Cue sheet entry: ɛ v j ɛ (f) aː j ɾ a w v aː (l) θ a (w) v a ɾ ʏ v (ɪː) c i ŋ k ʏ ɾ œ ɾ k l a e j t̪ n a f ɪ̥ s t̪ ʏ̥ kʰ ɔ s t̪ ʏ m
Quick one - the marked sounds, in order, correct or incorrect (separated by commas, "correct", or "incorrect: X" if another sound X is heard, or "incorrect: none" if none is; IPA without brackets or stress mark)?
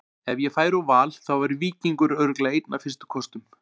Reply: correct, correct, correct, incorrect: iː